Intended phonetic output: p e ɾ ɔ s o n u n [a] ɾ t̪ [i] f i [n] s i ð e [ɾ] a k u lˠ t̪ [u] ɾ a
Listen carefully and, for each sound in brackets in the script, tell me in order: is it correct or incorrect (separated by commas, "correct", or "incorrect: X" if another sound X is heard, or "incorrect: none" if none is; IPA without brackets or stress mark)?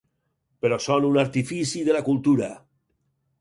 correct, correct, incorrect: none, incorrect: l, correct